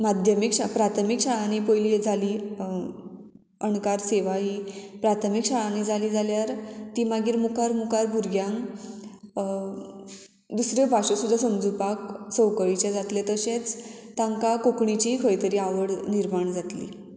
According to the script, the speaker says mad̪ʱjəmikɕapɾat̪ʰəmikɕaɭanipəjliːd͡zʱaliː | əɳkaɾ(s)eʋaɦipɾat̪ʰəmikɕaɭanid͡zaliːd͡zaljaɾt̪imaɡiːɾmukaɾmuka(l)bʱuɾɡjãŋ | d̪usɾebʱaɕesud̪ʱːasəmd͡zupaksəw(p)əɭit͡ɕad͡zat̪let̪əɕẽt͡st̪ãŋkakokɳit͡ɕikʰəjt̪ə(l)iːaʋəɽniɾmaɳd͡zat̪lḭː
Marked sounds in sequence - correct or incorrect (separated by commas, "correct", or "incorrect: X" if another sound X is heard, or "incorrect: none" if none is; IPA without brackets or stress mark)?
correct, incorrect: ɾ, incorrect: k, incorrect: ɾ